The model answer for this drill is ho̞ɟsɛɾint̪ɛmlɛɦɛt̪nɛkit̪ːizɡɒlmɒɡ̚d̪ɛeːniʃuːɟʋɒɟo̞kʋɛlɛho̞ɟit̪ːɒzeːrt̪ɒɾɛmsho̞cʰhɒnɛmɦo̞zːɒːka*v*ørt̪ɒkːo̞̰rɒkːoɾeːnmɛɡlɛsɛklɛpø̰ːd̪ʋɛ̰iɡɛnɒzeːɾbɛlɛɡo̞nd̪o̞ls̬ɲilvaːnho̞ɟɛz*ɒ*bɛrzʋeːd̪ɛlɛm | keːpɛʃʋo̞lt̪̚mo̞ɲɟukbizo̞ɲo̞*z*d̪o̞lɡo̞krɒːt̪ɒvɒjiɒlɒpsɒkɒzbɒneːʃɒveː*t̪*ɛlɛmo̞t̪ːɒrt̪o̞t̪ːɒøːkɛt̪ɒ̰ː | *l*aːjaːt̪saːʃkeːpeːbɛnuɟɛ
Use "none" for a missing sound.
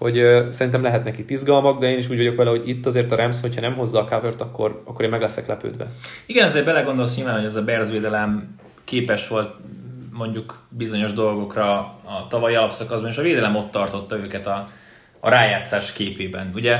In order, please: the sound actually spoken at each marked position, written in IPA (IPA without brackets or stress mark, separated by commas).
v, ɒ, ʒ, d̪, ɾ